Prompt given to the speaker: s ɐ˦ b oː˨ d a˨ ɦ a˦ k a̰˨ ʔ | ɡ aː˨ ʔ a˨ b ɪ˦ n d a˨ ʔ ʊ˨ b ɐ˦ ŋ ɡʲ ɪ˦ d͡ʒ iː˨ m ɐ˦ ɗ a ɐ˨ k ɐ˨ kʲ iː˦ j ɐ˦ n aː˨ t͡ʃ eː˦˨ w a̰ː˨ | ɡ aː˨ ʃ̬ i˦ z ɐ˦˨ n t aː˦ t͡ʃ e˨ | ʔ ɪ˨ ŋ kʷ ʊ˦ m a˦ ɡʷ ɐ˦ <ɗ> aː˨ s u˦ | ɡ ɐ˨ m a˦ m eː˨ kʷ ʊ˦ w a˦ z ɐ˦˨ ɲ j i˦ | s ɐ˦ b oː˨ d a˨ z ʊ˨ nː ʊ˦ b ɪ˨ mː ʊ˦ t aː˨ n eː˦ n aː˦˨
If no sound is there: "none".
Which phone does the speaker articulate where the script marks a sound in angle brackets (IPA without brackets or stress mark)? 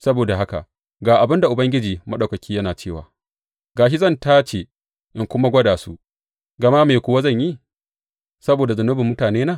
d